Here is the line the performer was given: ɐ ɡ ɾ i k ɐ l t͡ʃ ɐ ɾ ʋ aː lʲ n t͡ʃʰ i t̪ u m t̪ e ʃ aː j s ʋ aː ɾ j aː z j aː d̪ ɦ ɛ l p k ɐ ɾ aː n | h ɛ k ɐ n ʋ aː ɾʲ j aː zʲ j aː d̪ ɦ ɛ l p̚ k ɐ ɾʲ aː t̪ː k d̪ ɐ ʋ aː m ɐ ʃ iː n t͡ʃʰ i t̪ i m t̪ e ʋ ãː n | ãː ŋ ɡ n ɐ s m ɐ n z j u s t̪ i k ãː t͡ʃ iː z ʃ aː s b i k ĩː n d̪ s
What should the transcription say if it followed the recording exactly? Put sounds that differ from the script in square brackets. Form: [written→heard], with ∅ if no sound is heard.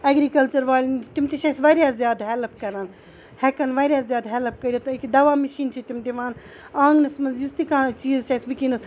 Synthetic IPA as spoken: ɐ ɡ ɾ i k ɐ l t͡ʃ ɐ ɾ ʋ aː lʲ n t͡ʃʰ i t̪ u m t̪ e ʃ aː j s ʋ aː ɾ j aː z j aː d̪ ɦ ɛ l p k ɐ ɾ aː n | h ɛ k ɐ n ʋ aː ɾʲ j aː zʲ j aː d̪ ɦ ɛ l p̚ k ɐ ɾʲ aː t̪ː k d̪ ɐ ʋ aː m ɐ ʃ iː n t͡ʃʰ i t̪ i m t̪ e ʋ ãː n | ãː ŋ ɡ n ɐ s m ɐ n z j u s t̪ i k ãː t͡ʃ iː z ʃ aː s b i k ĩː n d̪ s

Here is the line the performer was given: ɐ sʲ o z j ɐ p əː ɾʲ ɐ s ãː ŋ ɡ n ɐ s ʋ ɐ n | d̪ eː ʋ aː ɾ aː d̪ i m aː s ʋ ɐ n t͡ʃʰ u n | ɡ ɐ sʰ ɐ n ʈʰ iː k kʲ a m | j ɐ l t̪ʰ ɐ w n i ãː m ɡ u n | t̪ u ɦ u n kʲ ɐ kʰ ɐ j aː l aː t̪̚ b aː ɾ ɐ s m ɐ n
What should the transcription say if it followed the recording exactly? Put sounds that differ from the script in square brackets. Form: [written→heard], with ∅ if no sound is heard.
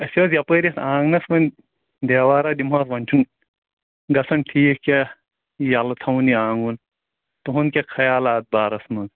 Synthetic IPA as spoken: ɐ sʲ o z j ɐ p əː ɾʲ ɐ s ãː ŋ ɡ n ɐ s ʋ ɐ n | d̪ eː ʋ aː ɾ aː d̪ i m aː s ʋ ɐ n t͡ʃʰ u n | ɡ ɐ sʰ ɐ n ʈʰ iː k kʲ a [m→∅] | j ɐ l t̪ʰ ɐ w n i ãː [m→ŋ] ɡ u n | t̪ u ɦ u n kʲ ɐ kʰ ɐ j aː l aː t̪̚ b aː ɾ ɐ s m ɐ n

